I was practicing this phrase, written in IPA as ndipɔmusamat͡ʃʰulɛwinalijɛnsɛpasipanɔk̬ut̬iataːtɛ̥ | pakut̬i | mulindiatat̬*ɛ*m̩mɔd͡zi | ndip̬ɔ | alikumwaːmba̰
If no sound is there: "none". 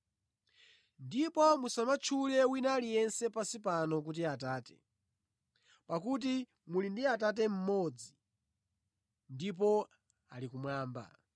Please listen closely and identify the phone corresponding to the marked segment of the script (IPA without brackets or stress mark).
ɛ